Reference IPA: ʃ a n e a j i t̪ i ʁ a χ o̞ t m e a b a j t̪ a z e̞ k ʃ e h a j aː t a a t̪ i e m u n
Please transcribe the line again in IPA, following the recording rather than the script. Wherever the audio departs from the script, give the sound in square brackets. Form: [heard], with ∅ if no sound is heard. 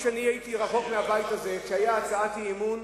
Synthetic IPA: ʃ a n [i] a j i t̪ i ʁ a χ o̞ [k] m e a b a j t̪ a z e̞ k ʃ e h a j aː [t͡s] a a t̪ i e m u n

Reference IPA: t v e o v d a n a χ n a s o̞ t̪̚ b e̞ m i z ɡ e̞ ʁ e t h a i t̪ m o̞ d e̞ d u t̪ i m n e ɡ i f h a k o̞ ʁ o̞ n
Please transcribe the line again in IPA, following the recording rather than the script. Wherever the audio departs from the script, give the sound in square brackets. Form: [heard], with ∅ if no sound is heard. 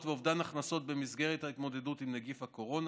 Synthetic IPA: t v e o v d a n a χ n a s o̞ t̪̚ b e̞ m i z ɡ e̞ ʁ e t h a i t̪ m o̞ d e̞ d u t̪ i m n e ɡ i f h a k o̞ ʁ o̞ n

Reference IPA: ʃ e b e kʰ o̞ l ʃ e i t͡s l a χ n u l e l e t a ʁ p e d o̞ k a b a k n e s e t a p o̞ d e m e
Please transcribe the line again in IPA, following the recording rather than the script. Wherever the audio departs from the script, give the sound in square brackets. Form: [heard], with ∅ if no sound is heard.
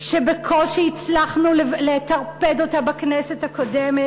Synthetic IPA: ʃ e b e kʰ o̞ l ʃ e i t͡s l a χ n u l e l e t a ʁ p e d o̞ [t] a b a k n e s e t a [k] o̞ d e m e

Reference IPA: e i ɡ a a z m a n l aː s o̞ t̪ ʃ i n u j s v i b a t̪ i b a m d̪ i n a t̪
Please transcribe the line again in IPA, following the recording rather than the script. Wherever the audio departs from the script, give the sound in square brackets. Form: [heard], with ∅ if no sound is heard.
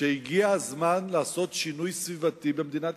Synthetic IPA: e i ɡ [i] a z m a n l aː s o̞ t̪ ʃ i n u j s v i [v] a t̪ i b [e] m d̪ i n a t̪

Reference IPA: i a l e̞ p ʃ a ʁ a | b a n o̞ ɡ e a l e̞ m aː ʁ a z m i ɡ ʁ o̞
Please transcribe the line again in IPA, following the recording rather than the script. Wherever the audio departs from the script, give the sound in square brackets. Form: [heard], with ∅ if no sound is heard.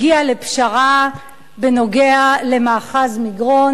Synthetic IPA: i a l e̞ p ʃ a ʁ a | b [e] n o̞ ɡ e a l e̞ m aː [χ] a z m i ɡ ʁ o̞

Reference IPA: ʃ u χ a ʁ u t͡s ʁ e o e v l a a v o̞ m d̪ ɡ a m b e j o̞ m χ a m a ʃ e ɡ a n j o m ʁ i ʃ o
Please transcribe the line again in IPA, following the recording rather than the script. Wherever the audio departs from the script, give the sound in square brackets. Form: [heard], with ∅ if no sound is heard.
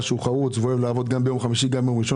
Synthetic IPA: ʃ u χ a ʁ u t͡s [v] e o e v l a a v o̞ [∅] d̪ ɡ a m b e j o̞ m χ a m [i] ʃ [i] ɡ a [m] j o m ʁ i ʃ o

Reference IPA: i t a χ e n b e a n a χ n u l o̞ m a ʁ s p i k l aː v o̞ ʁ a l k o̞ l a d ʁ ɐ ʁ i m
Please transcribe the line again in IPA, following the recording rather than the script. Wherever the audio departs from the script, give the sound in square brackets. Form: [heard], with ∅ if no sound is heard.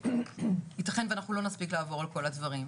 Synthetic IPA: i t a χ e n [v] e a n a χ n u l o̞ [n] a [∅] s p i k l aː v o̞ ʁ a l k o̞ l a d [v] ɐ ʁ i m

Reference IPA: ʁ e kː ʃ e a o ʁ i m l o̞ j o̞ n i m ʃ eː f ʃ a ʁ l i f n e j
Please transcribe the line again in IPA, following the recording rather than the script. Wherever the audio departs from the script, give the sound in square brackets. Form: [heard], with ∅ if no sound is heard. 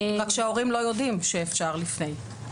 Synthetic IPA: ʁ [a] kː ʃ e a o ʁ i m l o̞ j o̞ [d] i m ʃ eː f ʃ a ʁ l i f n e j

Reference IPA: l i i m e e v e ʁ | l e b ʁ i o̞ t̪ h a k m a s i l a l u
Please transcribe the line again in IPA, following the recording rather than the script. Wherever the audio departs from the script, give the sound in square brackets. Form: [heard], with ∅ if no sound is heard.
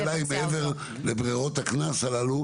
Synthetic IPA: l [a] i m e e v e ʁ | l e b ʁ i o̞ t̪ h a k [n] a s [a] l a l u

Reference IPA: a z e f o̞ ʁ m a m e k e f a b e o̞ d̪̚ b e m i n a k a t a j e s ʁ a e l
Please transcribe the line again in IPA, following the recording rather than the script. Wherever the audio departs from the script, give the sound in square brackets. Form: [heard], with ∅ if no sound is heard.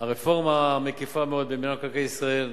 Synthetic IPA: a [ʁ] e f o̞ ʁ m a m e k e f a [m] e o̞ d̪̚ b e m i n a k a [k] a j [i] s ʁ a e l

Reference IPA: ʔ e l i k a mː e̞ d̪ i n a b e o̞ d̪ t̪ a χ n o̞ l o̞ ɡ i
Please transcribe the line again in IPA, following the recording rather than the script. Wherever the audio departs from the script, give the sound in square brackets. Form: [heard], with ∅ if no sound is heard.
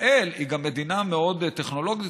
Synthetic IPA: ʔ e l i [ɡ] a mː e̞ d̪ i n a [m] e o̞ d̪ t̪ [e] χ n o̞ l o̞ ɡ i

